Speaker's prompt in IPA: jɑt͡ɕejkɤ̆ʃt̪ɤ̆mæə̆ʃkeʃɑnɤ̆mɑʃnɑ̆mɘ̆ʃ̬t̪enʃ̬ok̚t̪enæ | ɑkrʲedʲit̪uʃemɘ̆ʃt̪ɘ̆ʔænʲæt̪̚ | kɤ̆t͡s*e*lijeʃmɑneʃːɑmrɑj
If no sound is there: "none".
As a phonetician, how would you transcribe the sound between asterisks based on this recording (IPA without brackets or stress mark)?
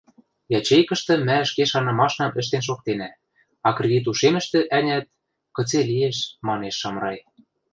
e